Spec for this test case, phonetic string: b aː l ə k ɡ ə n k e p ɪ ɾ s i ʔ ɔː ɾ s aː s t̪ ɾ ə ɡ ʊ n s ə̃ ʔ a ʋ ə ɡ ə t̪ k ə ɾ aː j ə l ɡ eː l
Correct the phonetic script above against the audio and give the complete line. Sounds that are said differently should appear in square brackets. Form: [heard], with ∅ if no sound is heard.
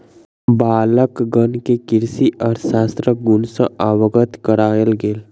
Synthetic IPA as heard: b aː l ə k ɡ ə n k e [k] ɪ ɾ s i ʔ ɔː ɾ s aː s t̪ ɾ ə ɡ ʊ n s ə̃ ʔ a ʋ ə ɡ ə t̪ k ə ɾ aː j ə l ɡ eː l